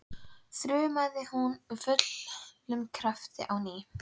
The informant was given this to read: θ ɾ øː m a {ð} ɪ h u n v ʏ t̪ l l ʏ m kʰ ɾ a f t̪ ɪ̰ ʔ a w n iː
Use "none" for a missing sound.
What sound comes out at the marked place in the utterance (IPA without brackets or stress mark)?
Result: ð